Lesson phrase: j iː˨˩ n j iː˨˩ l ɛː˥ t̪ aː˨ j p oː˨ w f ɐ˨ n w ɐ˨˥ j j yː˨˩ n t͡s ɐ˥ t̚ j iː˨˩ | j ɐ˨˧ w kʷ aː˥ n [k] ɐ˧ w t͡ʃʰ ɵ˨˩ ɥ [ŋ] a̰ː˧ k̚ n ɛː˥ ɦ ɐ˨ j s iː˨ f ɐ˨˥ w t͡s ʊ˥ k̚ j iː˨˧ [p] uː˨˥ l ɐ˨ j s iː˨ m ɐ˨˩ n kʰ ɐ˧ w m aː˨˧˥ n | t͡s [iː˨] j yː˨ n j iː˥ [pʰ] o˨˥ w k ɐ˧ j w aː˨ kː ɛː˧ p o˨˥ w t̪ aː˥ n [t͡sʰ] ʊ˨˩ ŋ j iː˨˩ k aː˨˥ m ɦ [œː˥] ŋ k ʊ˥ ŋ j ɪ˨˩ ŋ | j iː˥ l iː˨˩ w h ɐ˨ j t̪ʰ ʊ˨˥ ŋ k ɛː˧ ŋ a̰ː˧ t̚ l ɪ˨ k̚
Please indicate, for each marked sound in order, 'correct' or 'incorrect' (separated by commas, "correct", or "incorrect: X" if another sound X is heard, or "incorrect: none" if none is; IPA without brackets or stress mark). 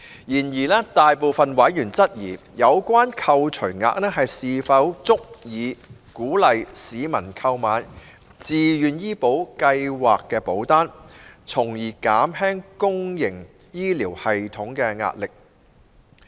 incorrect: kʰ, correct, incorrect: k, correct, incorrect: p, correct, incorrect: ɛː˥